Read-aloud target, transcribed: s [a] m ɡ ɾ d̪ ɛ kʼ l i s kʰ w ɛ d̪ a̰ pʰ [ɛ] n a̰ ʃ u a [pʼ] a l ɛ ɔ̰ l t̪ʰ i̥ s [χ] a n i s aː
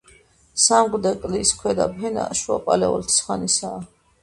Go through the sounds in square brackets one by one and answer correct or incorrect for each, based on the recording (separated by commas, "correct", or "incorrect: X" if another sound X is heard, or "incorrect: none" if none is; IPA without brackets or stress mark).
correct, correct, correct, correct